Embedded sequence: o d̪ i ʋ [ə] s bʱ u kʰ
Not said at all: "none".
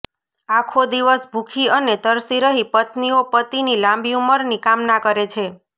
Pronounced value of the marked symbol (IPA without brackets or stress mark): ə